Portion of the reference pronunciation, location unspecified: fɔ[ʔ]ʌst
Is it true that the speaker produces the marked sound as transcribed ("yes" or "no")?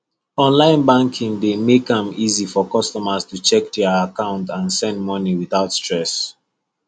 no